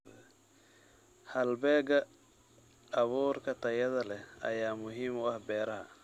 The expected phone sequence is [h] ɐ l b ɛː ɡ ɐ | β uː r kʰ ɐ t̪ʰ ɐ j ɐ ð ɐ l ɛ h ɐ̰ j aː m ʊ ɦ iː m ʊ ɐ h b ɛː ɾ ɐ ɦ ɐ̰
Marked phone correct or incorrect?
correct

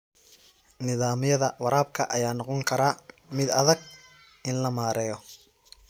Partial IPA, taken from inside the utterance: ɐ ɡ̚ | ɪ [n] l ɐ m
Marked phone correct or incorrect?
correct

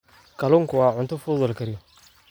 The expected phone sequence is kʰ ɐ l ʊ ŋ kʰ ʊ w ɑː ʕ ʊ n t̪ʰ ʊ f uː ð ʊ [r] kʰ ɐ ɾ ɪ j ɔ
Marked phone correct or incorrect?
incorrect: l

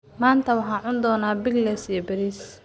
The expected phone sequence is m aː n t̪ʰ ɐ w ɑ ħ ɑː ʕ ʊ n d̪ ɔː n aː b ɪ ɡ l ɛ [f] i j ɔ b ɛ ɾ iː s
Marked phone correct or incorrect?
incorrect: s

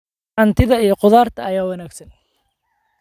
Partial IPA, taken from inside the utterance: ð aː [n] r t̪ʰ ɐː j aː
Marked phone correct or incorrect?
incorrect: none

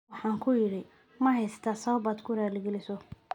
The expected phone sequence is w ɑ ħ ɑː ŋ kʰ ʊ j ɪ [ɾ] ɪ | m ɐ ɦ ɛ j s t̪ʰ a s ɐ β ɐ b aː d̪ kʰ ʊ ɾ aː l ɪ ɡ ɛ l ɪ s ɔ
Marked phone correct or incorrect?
incorrect: ɽ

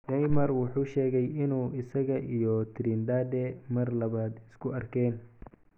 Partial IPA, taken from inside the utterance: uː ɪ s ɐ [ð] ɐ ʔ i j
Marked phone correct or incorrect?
incorrect: ɣ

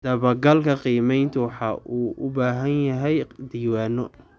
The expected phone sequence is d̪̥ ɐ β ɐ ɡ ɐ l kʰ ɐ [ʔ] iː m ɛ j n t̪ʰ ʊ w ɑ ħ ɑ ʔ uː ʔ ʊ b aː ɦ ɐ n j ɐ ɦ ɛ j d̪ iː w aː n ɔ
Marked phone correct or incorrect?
incorrect: q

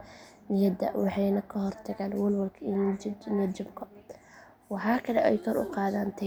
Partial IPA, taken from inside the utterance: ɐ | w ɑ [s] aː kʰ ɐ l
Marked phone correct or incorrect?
incorrect: ħ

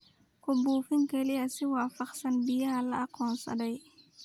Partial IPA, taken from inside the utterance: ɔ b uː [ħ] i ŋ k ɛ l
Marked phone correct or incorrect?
incorrect: f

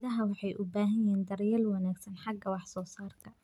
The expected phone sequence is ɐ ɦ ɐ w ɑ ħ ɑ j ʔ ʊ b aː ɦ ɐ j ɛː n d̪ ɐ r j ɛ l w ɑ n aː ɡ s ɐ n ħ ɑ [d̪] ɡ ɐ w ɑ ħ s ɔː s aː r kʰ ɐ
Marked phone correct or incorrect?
incorrect: none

